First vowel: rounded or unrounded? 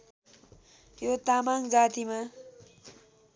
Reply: rounded